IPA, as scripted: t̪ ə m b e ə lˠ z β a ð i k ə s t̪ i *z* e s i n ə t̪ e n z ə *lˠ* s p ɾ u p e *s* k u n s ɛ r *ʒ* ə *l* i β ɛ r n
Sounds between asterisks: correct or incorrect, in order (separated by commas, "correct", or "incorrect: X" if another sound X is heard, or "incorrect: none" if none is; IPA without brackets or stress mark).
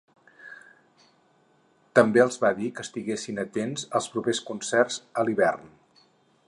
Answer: incorrect: ɣ, correct, correct, incorrect: z, correct